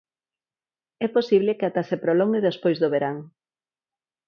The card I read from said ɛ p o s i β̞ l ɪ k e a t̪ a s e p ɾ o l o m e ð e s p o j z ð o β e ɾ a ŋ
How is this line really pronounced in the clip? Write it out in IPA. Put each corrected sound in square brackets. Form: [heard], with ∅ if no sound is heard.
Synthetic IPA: ɛ p o s i β̞ l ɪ k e a t̪ a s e p ɾ o l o [ŋ] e ð e s p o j z ð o β e ɾ a ŋ

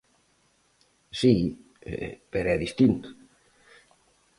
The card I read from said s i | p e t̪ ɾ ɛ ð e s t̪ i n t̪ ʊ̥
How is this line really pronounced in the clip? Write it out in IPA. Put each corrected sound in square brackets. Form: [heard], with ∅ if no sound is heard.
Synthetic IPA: s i | p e [∅] ɾ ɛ ð [i] s t̪ i n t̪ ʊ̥

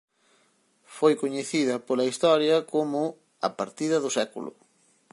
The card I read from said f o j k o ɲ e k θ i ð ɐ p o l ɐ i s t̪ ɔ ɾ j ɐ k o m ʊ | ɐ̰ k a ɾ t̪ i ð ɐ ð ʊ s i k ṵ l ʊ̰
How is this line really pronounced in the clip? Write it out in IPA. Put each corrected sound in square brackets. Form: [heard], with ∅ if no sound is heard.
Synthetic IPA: f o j k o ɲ e [∅] θ i ð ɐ p o l ɐ i s t̪ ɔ ɾ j ɐ k o m ʊ | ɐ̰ [p] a ɾ t̪ i ð ɐ ð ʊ s [ɛ] k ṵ l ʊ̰

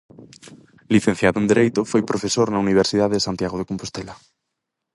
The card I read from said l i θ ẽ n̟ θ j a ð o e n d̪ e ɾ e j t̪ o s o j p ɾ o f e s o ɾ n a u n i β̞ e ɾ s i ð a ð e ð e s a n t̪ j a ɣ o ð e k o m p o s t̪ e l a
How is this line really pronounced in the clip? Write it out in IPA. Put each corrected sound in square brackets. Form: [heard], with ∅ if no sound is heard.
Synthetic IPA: l i θ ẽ n̟ θ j a ð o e n d̪ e ɾ e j t̪ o [f] o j p ɾ o f e s o ɾ n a u n i β̞ e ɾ s i ð a ð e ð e s a n t̪ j a ɣ o ð e k o m p o s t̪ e l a

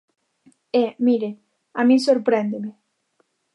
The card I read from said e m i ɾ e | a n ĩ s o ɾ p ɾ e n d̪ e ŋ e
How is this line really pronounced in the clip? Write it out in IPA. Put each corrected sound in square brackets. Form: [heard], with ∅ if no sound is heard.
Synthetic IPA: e m i ɾ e | a [m] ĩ s o ɾ p ɾ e n d̪ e [m] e

